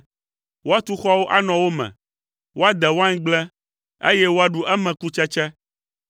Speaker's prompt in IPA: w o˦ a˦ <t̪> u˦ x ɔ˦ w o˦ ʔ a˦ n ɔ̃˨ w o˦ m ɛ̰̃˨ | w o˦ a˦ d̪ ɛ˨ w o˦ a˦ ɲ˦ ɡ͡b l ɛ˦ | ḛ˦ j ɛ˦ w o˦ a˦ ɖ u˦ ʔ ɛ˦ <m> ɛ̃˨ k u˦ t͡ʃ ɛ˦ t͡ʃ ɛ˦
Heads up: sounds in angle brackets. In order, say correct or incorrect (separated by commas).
correct, correct